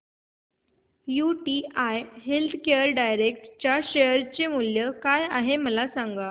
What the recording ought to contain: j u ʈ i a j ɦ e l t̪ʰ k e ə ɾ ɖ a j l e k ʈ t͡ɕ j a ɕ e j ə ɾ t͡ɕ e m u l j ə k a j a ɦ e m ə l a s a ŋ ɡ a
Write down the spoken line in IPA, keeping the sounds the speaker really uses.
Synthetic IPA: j u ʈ i a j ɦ e l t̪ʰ k e ə ɾ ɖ a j ɾ e k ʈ t͡ɕ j a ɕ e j ə ɾ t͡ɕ e m u l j ə k a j a ɦ e m ə l a s a ŋ ɡ a